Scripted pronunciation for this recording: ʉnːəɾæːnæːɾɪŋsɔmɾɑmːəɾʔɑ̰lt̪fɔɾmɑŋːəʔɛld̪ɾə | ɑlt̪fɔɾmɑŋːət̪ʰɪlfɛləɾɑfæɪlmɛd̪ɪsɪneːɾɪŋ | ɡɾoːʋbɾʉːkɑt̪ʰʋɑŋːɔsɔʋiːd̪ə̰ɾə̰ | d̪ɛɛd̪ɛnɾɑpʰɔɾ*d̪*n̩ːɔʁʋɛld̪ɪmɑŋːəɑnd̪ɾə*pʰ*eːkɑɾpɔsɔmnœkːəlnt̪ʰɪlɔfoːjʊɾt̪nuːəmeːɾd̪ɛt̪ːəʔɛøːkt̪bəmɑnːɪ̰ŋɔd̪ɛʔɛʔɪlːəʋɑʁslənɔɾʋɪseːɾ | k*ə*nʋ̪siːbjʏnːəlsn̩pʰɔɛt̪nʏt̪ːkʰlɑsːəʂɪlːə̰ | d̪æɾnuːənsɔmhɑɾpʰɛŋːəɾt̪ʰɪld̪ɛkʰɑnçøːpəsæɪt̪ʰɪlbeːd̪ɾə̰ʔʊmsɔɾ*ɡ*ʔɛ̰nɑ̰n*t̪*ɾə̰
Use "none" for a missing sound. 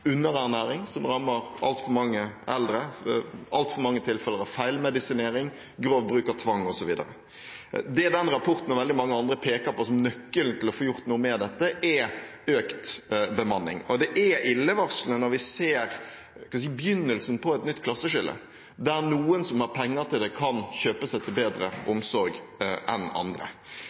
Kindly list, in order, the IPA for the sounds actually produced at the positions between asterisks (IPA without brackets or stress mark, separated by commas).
t̪, pʰ, ɑ, ɡ, d̪